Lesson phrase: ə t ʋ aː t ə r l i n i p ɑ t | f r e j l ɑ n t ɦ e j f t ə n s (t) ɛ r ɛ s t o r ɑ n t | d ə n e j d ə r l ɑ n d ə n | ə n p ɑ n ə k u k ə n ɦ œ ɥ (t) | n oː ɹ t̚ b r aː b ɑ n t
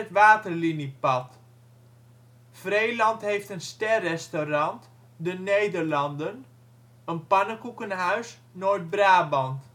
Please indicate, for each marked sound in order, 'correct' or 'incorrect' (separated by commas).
correct, incorrect